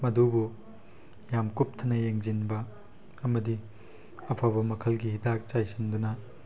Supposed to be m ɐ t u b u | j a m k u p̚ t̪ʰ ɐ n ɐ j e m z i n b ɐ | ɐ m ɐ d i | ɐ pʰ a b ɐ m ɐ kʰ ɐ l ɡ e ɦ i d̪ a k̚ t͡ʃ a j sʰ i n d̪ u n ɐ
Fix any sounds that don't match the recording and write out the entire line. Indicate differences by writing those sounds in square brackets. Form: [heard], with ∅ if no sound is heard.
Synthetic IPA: m ɐ [d] u b u | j a m k u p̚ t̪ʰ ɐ n ɐ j e [ŋ] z i n b ɐ | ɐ m ɐ d i | ɐ pʰ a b ɐ m ɐ kʰ ɐ l ɡ [i] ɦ i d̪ a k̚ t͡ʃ a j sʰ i n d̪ u n ɐ